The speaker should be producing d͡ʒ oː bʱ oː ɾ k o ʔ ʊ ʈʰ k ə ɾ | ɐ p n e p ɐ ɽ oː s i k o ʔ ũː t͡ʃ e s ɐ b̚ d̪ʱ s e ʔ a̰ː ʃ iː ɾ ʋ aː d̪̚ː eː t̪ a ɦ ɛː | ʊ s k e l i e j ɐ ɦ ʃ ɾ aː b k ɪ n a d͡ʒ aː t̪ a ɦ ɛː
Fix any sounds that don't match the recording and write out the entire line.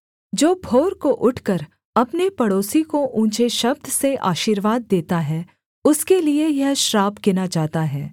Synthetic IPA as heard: d͡ʒ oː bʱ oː ɾ k o ʔ ʊ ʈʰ k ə ɾ | ɐ p n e p ɐ ɽ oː s i k o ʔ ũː t͡ʃ e ʃ ɐ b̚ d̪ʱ s e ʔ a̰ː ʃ iː ɾ ʋ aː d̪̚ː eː t̪ a ɦ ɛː | ʊ s k e l i e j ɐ ɦ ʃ ɾ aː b k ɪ n a d͡ʒ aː t̪ a ɦ ɛː